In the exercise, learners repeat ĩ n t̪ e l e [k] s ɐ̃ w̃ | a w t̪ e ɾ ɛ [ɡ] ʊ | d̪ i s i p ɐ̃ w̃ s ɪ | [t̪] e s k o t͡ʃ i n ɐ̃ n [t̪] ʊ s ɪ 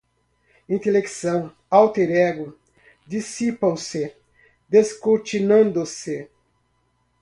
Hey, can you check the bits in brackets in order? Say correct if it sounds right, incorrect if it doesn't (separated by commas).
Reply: correct, correct, incorrect, incorrect